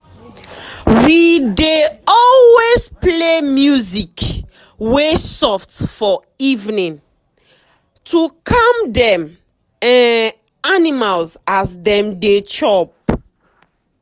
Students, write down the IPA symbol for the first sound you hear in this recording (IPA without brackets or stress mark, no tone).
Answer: w